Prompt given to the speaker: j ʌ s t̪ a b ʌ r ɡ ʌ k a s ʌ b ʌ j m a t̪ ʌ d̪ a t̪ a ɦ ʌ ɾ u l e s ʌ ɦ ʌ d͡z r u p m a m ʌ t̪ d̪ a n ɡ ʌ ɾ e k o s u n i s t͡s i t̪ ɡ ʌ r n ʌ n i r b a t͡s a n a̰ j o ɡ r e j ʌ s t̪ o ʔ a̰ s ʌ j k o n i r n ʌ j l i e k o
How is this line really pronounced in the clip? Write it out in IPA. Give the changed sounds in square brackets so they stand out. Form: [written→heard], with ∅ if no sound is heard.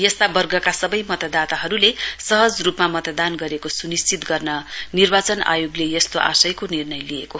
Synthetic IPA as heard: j ʌ s t̪ a b ʌ r ɡ ʌ k a s ʌ b ʌ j m [a→ʌ] t̪ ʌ d̪ a t̪ a ɦ ʌ ɾ u l e s ʌ ɦ ʌ d͡z r u p m a m ʌ t̪ d̪ a n ɡ ʌ ɾ e k o s u n i s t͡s i t̪ ɡ ʌ r n ʌ n i r b a t͡s [a→ʌ] n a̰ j o ɡ [r→l] e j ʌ s t̪ o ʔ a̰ s ʌ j k o n i r n ʌ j l i e k o